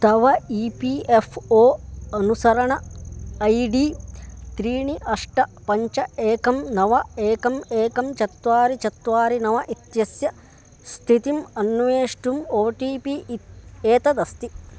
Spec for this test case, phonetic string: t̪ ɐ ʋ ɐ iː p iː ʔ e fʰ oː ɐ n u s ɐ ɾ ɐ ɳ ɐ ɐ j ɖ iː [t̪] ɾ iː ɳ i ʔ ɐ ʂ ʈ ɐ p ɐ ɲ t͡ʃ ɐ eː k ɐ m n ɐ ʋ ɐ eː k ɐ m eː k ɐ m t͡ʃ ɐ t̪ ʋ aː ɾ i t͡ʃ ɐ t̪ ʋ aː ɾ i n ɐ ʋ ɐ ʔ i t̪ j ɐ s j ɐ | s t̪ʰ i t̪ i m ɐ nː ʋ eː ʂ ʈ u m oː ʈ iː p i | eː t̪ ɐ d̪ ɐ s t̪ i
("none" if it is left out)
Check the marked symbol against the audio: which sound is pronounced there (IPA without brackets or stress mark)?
t̪